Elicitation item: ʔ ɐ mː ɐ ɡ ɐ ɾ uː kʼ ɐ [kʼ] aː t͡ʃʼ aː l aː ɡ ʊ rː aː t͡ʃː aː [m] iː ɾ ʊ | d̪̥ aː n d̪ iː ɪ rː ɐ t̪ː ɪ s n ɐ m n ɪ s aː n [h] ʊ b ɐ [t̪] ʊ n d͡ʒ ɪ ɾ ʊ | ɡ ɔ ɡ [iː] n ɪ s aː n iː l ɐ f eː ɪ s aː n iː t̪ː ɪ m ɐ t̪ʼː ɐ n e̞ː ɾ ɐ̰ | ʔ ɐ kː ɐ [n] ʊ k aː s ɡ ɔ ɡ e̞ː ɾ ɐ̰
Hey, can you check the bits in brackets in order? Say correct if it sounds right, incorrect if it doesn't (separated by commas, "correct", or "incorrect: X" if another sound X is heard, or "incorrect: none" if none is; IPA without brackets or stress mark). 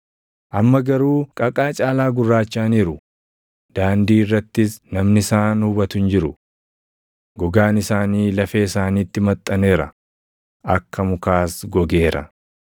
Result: correct, incorrect: n, correct, correct, incorrect: aː, incorrect: m